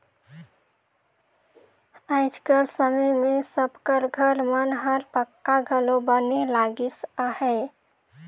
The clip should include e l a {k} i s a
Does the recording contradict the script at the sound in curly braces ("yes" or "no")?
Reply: yes